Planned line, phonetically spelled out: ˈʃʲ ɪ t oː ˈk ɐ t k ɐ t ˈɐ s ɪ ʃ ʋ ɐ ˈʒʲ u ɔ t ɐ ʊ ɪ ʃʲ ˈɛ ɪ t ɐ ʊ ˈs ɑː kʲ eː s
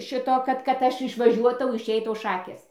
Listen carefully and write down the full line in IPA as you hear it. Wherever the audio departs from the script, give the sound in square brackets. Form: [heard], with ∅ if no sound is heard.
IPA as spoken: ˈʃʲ ɪ t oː ˈk ɐ t k ɐ t ˈɐ [ʃ] ɪ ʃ ʋ ɐ ˈʒʲ u ɔ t ɐ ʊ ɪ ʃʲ ˈɛ ɪ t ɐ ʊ [ˈʃ] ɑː kʲ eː s